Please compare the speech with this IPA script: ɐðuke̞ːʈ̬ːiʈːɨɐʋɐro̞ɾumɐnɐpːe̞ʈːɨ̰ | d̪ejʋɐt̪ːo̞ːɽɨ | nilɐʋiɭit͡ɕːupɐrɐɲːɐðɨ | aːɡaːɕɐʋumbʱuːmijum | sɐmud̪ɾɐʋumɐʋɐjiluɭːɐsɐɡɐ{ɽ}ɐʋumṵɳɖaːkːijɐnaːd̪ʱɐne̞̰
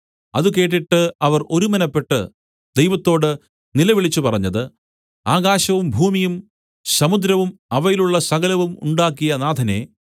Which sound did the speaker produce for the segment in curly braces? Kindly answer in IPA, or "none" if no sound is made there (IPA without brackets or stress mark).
l